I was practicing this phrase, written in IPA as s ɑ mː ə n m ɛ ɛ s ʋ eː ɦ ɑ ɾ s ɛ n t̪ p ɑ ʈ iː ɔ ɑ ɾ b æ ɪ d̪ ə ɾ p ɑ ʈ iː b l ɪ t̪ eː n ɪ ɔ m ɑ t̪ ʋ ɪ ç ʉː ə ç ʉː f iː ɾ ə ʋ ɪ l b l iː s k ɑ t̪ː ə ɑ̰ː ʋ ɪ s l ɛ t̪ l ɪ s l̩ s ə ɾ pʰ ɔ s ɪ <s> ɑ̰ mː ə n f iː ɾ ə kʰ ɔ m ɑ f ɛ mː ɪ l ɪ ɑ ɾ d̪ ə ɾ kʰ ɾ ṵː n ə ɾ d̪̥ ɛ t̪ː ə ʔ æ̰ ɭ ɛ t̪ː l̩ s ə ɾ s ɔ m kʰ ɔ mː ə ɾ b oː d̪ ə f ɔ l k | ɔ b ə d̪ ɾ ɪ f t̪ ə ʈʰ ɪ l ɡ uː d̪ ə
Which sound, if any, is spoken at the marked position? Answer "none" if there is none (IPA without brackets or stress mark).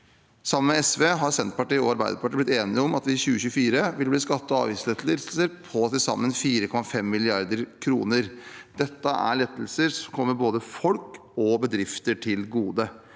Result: s